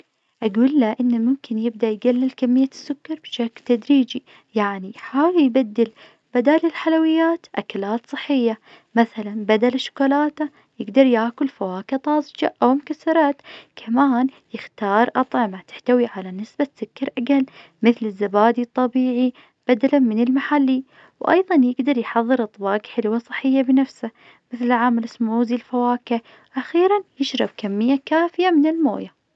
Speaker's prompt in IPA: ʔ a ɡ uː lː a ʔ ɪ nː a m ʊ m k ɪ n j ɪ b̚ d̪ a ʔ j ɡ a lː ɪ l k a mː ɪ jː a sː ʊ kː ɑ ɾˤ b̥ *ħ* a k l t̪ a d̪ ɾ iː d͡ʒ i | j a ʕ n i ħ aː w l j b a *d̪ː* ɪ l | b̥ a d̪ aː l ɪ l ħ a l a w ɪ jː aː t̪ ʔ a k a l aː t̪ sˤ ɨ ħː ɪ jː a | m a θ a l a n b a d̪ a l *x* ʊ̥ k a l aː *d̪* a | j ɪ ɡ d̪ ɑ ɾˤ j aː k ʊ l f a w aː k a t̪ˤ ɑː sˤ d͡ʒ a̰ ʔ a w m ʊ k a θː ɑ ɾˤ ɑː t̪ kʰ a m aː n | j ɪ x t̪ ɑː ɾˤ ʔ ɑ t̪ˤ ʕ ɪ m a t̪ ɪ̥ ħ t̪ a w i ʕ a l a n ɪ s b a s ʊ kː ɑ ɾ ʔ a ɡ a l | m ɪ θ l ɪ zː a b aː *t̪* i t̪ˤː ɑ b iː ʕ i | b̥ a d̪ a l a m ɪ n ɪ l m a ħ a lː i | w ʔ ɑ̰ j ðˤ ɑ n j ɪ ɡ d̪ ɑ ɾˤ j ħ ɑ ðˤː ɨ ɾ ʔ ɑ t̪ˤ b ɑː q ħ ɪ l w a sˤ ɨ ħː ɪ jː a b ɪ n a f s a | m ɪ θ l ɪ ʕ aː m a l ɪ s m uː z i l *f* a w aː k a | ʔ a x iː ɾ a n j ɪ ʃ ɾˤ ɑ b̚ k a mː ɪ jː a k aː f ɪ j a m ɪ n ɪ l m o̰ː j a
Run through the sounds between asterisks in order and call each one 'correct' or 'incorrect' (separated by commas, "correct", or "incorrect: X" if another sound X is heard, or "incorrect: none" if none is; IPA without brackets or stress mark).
incorrect: ʃ, correct, incorrect: ʃ, incorrect: t̪, incorrect: d̪, correct